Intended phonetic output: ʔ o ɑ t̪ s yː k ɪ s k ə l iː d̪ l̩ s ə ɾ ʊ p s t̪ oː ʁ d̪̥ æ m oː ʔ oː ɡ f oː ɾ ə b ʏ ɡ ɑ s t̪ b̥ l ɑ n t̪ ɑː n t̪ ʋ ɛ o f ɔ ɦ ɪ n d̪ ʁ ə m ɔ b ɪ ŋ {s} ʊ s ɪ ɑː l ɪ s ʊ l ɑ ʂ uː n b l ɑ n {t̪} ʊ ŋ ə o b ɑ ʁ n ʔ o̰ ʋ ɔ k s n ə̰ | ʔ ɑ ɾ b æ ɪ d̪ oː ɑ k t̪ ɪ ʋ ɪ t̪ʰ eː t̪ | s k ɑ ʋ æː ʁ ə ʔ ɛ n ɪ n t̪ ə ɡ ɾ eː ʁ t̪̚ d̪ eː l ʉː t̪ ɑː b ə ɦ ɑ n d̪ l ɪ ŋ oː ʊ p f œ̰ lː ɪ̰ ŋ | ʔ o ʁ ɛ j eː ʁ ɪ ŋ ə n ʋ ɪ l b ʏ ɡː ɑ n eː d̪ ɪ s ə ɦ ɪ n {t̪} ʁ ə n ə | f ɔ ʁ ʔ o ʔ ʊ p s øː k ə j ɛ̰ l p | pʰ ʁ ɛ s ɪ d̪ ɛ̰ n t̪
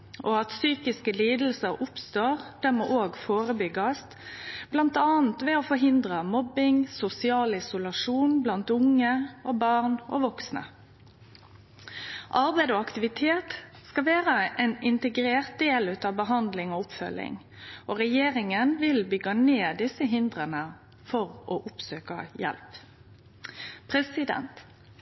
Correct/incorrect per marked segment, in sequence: correct, correct, incorrect: d̪

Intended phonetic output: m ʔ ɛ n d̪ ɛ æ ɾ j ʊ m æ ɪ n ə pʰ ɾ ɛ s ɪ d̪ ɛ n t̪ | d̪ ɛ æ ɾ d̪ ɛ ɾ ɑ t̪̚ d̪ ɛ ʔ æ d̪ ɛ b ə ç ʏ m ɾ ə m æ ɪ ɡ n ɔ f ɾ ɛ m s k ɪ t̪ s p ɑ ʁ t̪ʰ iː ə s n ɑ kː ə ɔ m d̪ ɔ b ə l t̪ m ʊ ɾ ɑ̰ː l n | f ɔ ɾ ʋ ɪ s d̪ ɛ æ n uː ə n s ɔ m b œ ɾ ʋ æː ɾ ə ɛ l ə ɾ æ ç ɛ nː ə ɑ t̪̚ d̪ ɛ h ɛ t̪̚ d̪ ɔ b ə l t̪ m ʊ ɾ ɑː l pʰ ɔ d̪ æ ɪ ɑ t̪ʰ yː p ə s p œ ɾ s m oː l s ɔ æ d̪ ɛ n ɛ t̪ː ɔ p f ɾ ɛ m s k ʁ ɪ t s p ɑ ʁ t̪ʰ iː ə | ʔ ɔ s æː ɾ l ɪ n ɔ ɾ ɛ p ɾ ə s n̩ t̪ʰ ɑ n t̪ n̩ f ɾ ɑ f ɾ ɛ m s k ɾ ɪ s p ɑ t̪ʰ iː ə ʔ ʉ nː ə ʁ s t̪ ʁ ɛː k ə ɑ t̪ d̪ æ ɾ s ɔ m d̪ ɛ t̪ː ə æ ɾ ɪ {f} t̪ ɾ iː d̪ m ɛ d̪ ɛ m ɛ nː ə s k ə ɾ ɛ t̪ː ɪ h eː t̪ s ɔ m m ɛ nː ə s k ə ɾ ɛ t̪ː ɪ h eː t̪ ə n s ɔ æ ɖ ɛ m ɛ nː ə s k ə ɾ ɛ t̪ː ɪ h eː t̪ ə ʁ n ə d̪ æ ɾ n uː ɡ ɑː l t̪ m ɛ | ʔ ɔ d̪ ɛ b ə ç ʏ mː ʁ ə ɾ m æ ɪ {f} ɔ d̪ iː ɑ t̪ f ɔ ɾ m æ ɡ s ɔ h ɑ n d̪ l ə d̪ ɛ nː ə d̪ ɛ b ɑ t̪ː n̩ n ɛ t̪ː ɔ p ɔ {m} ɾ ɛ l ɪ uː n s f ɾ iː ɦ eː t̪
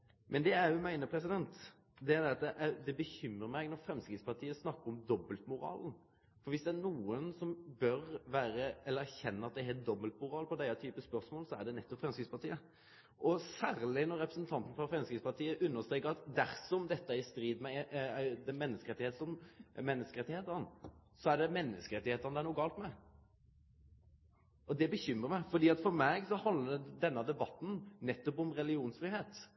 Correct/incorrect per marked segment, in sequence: incorrect: s, correct, correct

